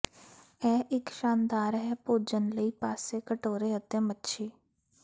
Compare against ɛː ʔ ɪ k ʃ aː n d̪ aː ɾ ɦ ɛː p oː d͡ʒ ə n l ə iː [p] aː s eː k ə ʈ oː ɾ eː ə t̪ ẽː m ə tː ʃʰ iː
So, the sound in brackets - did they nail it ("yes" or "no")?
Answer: yes